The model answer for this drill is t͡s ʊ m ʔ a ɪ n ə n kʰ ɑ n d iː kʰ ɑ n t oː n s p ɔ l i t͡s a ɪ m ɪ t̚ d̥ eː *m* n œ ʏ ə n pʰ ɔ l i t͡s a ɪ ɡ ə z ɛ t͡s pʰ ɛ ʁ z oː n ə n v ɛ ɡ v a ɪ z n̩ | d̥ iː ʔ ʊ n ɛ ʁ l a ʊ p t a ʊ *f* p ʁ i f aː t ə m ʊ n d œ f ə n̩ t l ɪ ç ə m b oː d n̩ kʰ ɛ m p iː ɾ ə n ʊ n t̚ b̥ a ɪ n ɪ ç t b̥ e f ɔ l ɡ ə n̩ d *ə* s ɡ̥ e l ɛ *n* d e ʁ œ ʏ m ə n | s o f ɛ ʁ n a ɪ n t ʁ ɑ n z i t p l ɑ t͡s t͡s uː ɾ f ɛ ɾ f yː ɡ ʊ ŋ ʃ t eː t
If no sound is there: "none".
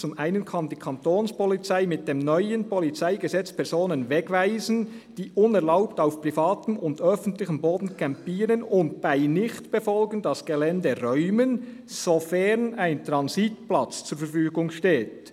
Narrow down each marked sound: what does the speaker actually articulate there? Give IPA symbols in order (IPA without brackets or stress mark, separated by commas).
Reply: m, f, ɑ, n